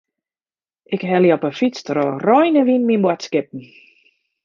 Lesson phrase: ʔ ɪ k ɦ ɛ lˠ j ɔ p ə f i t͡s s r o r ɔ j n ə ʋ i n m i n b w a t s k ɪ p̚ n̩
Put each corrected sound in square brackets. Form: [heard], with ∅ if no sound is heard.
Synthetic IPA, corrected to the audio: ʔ ɪ k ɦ ɛ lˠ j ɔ p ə f i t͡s [t] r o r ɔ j n ə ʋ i n m i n b w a t s k ɪ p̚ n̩

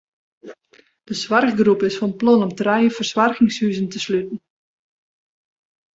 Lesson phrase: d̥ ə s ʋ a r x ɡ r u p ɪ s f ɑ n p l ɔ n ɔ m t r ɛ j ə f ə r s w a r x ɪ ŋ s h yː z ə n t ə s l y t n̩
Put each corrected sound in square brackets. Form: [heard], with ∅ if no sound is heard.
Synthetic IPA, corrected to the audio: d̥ ə s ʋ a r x ɡ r u p ɪ s f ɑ n p l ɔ n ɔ m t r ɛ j ə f ə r s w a r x ɪ ŋ s h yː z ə n t ə s l y t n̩

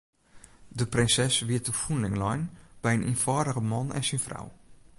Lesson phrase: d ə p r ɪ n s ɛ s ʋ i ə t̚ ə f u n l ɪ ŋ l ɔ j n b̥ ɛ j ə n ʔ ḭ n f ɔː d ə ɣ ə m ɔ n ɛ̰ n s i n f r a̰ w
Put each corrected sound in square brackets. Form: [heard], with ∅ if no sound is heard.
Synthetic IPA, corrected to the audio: d ə p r ɪ n s ɛ s ʋ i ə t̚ ə f u n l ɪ ŋ l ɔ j n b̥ ɛ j ə n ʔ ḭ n f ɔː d ə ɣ ə m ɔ n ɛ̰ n s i n f r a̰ w

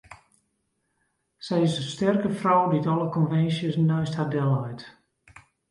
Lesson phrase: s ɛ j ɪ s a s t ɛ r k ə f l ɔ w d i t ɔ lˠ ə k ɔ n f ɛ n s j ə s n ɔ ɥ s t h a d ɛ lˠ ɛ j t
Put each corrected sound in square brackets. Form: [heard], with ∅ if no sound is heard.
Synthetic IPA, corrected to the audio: s ɛ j ɪ s [ə] s t ɛ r k ə f [r] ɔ w d i t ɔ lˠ ə k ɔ n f ɛ n s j ə s n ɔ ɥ s t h a d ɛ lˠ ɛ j t

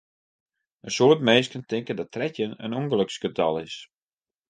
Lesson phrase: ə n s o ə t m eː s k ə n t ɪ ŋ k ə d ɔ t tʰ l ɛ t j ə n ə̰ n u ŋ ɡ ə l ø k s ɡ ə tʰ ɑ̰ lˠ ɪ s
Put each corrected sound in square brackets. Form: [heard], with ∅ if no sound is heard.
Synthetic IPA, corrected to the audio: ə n s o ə t m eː s k ə n t ɪ ŋ k ə d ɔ t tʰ [r] ɛ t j ə n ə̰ n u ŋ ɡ ə l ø k s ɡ ə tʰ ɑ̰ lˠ ɪ s

